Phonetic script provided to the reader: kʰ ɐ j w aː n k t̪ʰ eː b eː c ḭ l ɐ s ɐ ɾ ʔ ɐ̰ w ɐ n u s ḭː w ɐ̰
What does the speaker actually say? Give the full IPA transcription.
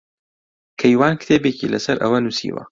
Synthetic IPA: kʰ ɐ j w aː n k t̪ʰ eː b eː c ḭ l ɐ s ɐ ɾ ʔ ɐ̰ w ɐ n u s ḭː w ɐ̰